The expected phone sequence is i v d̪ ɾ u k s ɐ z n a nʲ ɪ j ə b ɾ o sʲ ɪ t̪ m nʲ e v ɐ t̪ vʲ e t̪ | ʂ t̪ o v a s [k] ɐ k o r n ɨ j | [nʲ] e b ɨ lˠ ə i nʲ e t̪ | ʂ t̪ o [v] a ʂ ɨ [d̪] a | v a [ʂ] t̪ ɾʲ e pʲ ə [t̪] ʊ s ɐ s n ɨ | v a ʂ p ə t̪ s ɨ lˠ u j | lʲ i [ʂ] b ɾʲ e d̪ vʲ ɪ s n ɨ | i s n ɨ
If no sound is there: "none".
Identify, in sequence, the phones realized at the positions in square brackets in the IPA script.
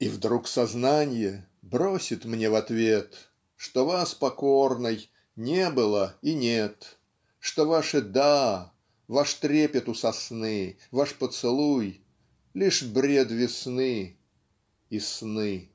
p, nʲ, v, d̪, ʂ, t̪, ʂ

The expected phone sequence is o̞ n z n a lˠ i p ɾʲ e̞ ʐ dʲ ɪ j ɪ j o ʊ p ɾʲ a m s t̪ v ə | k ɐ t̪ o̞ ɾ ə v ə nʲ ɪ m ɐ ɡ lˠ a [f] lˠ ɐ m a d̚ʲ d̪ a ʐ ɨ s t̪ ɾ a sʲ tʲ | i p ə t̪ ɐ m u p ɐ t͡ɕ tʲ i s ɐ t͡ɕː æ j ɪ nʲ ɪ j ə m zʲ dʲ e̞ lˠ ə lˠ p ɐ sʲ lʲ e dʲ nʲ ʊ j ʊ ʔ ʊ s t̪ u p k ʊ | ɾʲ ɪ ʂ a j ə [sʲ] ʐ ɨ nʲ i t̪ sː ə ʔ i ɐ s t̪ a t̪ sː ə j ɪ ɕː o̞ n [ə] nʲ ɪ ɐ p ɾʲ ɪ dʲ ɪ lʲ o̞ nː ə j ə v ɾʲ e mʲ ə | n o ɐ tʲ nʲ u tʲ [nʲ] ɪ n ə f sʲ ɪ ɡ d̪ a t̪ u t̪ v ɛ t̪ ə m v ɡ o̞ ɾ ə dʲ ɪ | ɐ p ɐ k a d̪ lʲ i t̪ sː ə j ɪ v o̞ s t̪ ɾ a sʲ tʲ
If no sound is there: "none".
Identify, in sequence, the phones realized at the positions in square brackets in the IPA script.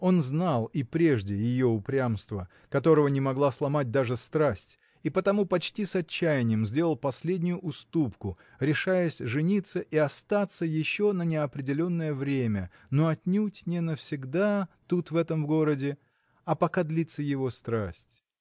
s, sʲ, ə, nʲ

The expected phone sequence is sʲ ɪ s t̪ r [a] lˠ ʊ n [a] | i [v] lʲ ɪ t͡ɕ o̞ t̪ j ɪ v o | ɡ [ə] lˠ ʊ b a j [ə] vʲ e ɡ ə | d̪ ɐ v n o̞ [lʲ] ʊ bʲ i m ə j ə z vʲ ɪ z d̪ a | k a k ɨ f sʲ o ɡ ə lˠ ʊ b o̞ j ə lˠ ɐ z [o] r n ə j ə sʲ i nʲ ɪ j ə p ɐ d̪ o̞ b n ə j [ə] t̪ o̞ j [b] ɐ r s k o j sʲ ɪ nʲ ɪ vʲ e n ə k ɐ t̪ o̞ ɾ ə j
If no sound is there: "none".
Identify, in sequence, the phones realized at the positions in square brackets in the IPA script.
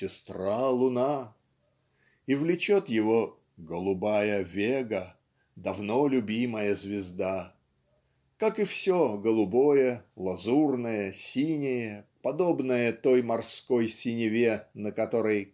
a, a, v, ə, ə, lʲ, u, ə, m

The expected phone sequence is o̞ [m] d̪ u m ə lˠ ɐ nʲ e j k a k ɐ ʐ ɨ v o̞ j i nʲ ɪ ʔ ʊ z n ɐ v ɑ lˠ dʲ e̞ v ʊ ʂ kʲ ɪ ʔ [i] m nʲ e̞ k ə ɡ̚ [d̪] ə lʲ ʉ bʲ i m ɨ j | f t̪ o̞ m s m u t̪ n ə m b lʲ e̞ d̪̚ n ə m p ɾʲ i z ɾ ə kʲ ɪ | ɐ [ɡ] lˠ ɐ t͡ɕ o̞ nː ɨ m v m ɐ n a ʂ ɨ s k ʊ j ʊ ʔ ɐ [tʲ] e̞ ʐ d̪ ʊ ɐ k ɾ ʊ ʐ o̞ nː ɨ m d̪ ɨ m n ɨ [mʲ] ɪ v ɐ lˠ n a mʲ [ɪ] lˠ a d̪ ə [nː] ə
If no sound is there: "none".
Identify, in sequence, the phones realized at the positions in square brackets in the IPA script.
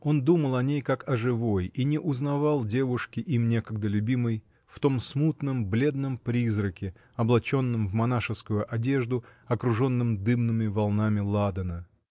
n, i, d̪, b, dʲ, mʲ, ɪ, n

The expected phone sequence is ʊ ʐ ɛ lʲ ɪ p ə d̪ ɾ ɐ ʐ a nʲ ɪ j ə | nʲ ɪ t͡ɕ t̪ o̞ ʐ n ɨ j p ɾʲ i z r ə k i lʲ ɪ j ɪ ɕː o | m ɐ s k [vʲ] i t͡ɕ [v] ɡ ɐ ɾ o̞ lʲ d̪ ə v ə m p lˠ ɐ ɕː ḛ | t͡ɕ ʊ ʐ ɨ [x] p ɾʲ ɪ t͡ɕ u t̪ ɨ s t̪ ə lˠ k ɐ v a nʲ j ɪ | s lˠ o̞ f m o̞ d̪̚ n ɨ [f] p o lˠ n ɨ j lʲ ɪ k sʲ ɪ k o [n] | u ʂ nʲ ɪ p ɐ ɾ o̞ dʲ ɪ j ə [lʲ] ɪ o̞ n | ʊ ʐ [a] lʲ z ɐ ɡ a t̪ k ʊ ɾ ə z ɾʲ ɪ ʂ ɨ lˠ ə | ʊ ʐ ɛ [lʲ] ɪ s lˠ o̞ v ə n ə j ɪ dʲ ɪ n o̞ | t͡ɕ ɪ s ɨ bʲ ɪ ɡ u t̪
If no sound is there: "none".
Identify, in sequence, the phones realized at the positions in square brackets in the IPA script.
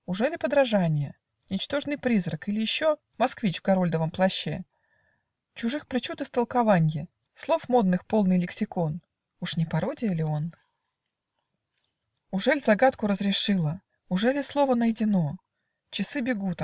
vʲ, v, x, x, n, lʲ, ɛ, lʲ

